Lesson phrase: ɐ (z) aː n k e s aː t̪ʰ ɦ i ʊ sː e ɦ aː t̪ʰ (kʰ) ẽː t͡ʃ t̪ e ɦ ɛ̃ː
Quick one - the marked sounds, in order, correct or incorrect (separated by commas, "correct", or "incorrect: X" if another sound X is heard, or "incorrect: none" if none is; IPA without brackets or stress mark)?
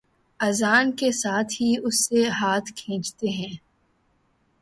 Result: correct, correct